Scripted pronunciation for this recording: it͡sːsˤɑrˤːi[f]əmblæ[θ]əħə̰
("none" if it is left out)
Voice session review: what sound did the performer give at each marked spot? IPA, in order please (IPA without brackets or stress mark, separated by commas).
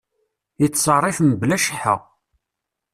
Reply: f, ʃ